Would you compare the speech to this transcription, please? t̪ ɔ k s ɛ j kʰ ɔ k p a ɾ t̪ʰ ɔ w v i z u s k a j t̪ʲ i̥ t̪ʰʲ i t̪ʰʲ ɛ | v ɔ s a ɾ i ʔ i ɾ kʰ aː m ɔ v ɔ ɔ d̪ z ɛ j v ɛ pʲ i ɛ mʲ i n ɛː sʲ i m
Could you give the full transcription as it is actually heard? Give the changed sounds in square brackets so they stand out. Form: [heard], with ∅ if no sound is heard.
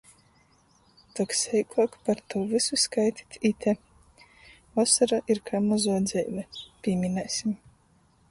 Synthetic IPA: t̪ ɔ k s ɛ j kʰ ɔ k p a ɾ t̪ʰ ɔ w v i [s] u s k a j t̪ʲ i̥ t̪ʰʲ i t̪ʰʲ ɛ | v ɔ s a ɾ [a] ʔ i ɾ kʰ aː m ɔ [z] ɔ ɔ d̪ z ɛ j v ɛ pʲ i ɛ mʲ i n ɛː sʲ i m